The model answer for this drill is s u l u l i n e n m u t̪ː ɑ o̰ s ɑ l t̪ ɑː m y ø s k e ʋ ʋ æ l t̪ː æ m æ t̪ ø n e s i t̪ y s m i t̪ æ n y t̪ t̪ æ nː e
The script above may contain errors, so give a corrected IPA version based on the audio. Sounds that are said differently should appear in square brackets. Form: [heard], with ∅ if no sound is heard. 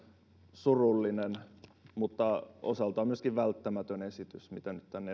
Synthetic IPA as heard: s u [r] u [lː] i n e n m u t̪ː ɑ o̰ s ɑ l t̪ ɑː m y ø s k [i] ʋ ʋ æ l t̪ː æ m æ t̪ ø n e s i t̪ y s m i t̪ æ n y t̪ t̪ æ nː e